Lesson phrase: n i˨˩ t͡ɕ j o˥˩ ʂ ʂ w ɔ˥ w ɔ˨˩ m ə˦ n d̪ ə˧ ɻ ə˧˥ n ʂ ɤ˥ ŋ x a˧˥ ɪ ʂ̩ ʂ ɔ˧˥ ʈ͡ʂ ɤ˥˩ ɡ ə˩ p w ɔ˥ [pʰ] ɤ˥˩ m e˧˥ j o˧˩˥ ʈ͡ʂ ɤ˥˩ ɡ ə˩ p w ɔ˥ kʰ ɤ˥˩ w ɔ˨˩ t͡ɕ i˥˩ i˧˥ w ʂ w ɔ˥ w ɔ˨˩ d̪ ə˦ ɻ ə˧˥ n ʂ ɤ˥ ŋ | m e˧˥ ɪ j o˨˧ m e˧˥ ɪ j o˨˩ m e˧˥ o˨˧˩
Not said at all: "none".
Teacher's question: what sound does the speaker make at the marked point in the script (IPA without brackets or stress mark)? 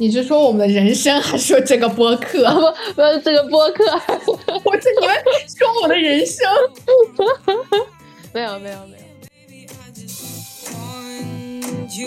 kʰ